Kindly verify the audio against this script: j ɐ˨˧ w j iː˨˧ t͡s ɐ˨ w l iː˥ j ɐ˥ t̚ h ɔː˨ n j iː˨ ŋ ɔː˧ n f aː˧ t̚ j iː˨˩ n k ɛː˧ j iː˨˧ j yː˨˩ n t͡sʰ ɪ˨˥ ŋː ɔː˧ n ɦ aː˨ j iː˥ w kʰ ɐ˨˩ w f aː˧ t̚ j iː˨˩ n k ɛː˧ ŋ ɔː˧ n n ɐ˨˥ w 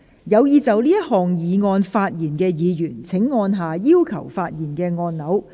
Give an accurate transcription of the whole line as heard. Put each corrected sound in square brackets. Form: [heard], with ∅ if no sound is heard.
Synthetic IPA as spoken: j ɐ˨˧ w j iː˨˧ t͡s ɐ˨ w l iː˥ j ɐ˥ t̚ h ɔː˨ [ŋ] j iː˨ ŋ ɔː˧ n f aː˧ t̚ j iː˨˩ n k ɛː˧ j iː˨˧ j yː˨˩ n t͡sʰ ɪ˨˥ ŋː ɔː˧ n ɦ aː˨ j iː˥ w kʰ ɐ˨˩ w f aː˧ t̚ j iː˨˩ n k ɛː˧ ŋ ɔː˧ n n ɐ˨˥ w